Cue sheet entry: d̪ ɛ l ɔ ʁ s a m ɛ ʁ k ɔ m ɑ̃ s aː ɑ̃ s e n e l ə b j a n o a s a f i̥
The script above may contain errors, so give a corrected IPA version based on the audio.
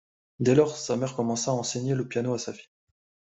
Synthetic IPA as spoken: d̪ ɛ l ɔ ʁ s a m ɛ ʁ k ɔ m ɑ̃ s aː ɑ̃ s e ɲ e l ə p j a n o a s a f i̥